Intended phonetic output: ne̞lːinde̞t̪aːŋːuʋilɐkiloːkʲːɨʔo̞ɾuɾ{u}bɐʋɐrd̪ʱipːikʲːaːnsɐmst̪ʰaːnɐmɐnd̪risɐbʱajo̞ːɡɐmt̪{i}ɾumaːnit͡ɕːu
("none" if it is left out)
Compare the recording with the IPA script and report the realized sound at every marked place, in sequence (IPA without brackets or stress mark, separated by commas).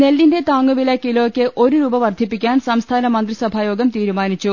uː, iː